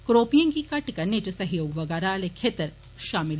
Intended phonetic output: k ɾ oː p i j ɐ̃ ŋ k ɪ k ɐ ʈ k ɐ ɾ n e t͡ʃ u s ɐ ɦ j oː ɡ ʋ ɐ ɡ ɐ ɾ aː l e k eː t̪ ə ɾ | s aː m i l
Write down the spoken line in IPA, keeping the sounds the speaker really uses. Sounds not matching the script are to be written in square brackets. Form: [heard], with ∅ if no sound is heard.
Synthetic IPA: k ɾ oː p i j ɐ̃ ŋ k [i] k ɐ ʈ k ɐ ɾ n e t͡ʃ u s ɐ ɦ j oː ɡ ʋ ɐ ɡ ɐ ɾ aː l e [kʰ] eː t̪ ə ɾ | [ʃ] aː m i l